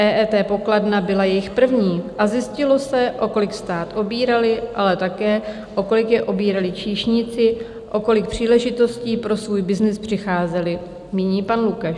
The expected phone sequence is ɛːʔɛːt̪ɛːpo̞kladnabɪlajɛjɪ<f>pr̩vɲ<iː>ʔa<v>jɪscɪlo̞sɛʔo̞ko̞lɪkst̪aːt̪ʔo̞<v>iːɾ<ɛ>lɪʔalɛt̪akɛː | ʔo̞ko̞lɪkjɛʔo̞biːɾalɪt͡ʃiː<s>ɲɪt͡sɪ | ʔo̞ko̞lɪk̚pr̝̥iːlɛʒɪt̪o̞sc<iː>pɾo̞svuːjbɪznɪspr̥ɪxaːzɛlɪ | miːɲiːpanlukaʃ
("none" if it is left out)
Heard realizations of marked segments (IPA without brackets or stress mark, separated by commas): x, iː, z, b, a, ʃ, iː